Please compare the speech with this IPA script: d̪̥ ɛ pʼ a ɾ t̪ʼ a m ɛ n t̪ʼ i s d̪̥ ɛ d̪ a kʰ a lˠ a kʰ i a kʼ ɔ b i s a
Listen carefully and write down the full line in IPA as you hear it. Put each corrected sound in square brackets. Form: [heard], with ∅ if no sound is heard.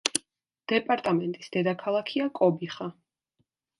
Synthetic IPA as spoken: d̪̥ ɛ pʼ a ɾ t̪ʼ a m ɛ n t̪ʼ i s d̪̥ ɛ d̪ a kʰ a lˠ a kʰ i a kʼ ɔ b i [χ] a